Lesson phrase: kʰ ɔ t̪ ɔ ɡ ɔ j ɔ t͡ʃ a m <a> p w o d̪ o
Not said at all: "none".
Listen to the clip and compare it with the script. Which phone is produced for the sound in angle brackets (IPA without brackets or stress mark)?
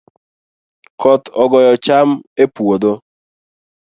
e